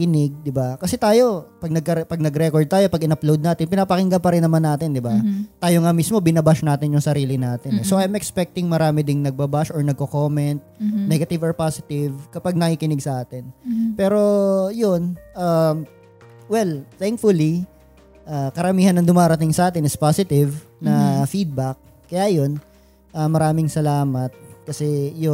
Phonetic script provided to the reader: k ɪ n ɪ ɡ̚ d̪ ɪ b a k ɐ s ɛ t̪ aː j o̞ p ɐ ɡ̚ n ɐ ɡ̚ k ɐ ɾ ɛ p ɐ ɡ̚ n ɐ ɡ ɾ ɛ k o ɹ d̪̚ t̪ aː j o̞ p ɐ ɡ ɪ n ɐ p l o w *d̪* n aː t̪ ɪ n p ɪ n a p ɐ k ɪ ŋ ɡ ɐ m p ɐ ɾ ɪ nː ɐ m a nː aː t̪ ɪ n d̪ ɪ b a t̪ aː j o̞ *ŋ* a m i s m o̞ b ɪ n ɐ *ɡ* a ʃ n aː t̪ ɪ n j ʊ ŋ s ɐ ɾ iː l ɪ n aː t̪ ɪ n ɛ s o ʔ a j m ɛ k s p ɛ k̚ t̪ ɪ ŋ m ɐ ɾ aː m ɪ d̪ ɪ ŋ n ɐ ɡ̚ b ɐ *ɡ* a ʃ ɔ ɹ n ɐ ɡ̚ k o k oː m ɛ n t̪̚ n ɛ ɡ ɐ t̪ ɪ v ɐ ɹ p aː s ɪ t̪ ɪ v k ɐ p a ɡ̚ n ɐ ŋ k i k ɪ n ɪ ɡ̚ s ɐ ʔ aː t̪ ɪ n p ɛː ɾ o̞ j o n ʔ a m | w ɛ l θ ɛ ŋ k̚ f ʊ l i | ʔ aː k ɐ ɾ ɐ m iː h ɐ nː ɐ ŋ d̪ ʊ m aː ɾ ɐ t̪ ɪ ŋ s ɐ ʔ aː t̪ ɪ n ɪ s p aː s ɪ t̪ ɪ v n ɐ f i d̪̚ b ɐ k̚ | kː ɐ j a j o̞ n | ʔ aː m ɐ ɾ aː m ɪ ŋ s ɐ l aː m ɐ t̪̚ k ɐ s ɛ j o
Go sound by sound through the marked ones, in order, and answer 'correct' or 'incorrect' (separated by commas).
correct, correct, incorrect, incorrect